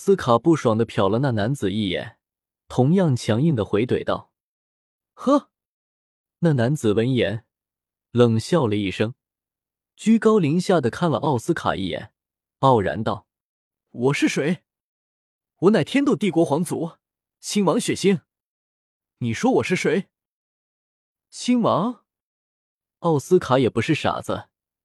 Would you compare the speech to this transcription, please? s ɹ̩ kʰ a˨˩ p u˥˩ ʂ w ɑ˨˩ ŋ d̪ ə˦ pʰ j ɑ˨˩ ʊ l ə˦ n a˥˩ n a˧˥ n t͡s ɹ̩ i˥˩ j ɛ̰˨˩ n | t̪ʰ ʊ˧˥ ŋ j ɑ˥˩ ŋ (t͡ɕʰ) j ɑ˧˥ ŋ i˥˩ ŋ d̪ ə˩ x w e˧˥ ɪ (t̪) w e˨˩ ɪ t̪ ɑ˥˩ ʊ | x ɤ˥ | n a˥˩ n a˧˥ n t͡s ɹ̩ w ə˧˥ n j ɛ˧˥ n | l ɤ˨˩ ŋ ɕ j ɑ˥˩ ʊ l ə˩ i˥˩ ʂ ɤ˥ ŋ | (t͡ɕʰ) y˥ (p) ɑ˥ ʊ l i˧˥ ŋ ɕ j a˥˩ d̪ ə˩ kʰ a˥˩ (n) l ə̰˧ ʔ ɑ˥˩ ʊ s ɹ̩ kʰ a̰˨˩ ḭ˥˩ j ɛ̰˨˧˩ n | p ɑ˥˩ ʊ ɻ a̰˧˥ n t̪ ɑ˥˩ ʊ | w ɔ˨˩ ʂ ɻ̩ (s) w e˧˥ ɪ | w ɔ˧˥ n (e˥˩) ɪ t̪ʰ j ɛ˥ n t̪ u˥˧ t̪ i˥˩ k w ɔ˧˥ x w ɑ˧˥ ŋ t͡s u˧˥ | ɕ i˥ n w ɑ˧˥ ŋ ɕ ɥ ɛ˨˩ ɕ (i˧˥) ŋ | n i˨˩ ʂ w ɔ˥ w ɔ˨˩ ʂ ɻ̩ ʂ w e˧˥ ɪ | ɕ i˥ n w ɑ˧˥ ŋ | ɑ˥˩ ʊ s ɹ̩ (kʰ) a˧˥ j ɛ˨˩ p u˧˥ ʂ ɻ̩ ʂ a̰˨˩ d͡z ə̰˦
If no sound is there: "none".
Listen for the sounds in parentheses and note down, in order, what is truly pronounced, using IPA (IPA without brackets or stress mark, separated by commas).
t͡ɕʰ, t̪, t͡ɕ, k, n, ʂ, a˥˩, i˥, kʰ